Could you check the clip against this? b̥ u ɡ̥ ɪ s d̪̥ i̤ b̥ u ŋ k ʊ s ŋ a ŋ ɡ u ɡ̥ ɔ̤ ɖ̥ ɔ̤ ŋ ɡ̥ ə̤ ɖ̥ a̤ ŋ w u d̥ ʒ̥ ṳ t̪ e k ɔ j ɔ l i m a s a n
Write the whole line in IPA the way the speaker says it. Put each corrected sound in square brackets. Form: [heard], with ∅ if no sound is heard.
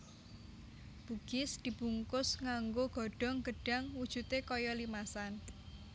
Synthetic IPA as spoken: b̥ u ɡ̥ ɪ s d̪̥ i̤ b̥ u ŋ k ʊ s ŋ a ŋ ɡ [o] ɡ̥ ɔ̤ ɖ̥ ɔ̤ ŋ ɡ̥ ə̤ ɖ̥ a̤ ŋ w u d̥ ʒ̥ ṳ t̪ e k ɔ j ɔ l i m a s a n